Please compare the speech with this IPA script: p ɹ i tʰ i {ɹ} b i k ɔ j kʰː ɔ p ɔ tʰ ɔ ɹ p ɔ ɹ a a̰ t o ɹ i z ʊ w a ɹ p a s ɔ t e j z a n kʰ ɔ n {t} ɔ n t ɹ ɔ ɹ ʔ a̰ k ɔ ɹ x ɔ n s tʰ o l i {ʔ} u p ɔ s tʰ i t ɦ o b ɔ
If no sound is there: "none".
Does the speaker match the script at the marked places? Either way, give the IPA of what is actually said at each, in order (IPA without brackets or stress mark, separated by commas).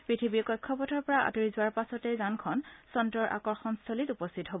none, s, t